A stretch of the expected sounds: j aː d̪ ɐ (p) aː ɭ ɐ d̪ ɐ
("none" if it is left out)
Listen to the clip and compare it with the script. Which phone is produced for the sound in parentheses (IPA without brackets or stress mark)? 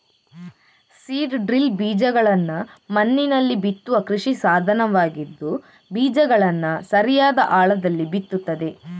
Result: ʔ